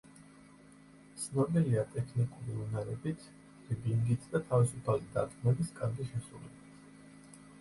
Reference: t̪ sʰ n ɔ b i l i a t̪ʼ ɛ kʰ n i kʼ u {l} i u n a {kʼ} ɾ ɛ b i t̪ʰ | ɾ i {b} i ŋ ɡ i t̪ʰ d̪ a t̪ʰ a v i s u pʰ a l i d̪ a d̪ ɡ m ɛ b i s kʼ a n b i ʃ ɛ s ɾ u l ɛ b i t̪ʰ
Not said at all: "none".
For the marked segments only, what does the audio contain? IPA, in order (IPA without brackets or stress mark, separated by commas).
ɾ, none, b